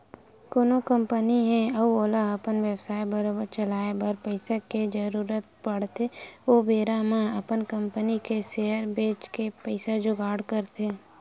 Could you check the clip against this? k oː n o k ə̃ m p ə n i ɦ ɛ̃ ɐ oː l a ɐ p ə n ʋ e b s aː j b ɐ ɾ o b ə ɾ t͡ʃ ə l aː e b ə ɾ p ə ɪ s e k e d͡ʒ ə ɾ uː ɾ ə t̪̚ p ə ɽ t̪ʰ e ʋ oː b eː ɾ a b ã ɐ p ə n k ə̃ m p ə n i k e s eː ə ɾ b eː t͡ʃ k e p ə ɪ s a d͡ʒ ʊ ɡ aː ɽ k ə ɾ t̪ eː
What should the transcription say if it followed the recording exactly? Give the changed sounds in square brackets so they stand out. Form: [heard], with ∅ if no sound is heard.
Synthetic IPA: k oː n o k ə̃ m p ə n i ɦ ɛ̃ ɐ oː l a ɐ p ə n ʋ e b s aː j b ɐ ɾ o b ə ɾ t͡ʃ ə l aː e b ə ɾ p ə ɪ s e k e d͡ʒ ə ɾ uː ɾ ə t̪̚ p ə ɽ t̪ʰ e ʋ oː b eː ɾ a [m] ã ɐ p ə n k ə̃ m p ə n i k e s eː ə ɾ b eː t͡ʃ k e p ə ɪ s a d͡ʒ ʊ ɡ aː ɽ k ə ɾ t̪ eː